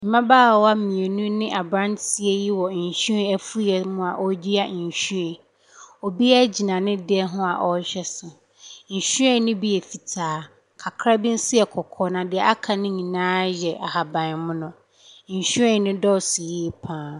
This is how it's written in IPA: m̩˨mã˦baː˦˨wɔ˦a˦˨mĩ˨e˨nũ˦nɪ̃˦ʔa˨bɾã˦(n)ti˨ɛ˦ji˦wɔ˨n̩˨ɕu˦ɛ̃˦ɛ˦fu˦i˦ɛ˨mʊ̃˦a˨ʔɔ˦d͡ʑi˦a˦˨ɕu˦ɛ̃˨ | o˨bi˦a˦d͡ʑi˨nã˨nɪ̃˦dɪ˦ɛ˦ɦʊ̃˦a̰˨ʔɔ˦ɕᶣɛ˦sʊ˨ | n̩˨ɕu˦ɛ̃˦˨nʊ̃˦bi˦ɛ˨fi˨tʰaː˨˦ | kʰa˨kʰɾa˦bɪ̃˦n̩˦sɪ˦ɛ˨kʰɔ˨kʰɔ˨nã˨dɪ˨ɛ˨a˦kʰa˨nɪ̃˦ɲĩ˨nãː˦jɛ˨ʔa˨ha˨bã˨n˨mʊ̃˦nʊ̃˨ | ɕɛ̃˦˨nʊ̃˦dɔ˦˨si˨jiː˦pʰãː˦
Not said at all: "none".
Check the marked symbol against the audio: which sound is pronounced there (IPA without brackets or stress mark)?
n